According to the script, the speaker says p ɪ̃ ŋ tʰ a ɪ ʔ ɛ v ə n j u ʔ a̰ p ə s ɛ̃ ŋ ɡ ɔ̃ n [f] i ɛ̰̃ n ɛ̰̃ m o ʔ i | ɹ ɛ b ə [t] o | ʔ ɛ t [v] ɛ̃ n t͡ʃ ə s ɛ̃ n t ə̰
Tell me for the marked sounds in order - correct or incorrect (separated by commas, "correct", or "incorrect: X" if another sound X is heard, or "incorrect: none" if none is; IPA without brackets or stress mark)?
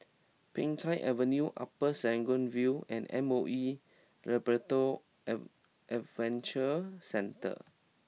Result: incorrect: v, correct, correct